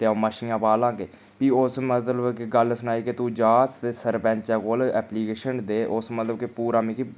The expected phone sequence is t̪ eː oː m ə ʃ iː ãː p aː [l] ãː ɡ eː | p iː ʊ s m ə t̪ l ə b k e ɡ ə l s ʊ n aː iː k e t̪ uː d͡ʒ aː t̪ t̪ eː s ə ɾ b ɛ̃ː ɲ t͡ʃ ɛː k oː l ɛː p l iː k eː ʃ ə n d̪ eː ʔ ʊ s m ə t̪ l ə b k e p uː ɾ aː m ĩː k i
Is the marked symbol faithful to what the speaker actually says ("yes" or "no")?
yes